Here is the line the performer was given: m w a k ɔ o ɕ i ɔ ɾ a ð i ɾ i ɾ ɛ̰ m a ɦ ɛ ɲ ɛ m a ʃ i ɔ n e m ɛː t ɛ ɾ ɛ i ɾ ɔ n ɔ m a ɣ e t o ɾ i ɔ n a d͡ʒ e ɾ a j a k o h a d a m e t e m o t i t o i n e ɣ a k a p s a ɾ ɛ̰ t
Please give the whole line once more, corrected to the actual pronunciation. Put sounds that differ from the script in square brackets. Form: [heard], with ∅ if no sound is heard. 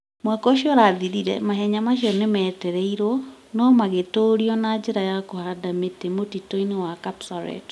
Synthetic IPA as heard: m w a k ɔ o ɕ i ɔ ɾ a ð i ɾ i ɾ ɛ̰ m a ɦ ɛ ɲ [a] m a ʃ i ɔ n e m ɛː t ɛ ɾ ɛ i ɾ ɔ n ɔ m a ɣ e t o ɾ i ɔ n a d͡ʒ e ɾ a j a k o h a d a m e t e m o t i t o i n e [w] a k a p s a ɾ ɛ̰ t